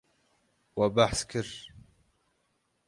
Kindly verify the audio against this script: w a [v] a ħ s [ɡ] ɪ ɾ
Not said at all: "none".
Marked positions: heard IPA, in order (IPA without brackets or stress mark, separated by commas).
b, k